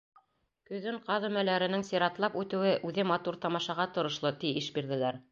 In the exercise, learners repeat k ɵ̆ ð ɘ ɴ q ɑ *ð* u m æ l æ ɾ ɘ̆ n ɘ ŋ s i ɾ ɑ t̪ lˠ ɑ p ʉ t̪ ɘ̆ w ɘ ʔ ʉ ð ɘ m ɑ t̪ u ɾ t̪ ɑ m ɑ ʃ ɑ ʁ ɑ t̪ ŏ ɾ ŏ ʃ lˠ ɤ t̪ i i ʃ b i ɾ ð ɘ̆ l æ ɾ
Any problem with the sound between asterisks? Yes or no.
no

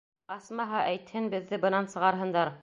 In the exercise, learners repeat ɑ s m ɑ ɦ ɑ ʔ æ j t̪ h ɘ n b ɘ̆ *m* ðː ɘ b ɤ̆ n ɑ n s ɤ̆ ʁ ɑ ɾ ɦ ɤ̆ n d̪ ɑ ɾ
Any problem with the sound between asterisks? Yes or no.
yes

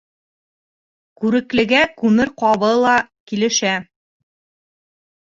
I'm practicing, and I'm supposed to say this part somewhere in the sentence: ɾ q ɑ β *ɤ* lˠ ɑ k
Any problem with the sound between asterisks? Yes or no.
no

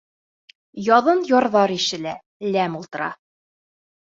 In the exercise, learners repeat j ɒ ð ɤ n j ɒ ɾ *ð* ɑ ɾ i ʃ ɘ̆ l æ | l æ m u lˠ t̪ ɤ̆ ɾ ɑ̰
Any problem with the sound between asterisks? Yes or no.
no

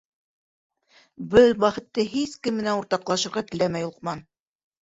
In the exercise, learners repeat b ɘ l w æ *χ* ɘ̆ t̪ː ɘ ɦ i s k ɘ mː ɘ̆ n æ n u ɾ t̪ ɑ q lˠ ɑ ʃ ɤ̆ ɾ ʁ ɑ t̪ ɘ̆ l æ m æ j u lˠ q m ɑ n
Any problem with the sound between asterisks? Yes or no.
no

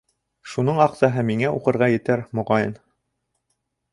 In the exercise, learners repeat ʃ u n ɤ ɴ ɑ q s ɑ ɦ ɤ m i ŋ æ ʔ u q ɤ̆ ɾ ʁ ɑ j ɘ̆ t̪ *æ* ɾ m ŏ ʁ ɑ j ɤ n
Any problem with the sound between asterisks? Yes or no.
no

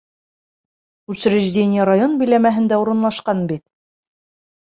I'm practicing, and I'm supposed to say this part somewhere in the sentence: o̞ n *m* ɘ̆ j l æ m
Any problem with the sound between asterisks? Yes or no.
yes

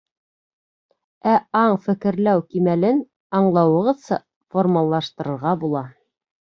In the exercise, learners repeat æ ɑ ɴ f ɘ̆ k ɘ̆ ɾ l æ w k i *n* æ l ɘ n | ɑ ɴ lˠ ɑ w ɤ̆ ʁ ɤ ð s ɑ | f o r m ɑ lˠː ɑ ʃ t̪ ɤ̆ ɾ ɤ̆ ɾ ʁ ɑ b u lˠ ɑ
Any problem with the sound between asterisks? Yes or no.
yes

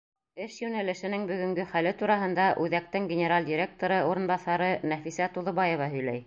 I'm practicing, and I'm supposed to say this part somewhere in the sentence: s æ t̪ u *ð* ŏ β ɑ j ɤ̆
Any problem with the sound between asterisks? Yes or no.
no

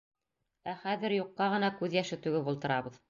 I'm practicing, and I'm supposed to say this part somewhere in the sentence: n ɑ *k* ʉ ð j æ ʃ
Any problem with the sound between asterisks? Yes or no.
no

